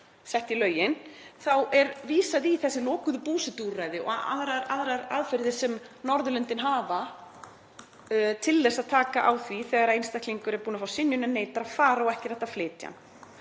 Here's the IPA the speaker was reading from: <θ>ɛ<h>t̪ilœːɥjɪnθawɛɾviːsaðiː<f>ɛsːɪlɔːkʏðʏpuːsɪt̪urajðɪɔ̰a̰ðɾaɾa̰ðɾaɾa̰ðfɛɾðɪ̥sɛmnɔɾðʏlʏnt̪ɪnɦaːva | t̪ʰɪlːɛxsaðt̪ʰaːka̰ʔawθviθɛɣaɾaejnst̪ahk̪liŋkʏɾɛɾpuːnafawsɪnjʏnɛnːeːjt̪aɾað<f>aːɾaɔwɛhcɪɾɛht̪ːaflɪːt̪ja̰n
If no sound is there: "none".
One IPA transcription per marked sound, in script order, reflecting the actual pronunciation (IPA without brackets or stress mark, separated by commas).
s, h, θ, f